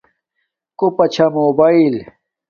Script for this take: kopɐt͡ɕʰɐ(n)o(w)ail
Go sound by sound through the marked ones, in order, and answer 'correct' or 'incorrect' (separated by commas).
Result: incorrect, incorrect